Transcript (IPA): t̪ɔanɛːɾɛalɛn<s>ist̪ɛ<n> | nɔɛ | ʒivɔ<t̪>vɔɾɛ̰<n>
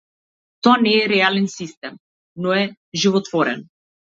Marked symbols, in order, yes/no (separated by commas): yes, no, yes, yes